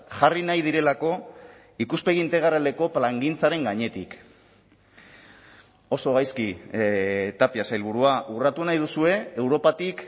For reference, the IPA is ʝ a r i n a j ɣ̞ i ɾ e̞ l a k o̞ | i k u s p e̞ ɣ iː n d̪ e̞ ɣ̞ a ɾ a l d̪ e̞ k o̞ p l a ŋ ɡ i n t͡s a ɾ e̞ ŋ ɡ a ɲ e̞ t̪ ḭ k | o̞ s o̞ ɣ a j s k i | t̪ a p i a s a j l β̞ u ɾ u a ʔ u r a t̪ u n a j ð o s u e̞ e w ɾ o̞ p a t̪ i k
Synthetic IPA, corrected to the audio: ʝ a r i n a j ð̞ i ɾ e̞ l a k o̞ | i k u s p e̞ ɣ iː n t̪ e̞ ɣ̞ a ɾ a l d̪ e̞ k o̞ p l a ŋ ɡ i n t͡s a ɾ e̞ ŋ ɡ a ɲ e̞ t̪ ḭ k | o̞ s o̞ ɣ a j s k i | t̪ a p i a s a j l β̞ u ɾ u a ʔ u r a t̪ u n a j ð u s u e̞ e w ɾ o̞ p a t̪ i k